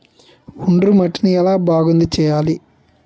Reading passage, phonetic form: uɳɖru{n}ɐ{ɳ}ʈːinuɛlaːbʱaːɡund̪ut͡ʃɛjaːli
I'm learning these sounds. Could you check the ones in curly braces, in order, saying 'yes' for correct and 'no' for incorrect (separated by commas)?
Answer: no, no